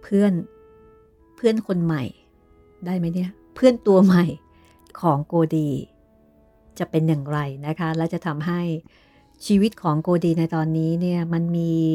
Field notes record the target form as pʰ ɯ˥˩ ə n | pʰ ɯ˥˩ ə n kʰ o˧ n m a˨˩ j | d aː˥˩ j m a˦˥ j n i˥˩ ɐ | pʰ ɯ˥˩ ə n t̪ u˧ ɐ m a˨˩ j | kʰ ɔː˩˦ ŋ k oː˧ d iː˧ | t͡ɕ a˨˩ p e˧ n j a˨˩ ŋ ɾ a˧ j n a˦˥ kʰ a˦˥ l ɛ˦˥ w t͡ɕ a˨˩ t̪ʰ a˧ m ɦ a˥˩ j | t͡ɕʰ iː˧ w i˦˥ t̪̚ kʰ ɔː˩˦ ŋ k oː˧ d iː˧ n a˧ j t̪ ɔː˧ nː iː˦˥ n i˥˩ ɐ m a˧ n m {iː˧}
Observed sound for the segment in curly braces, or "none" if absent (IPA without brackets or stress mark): iː˧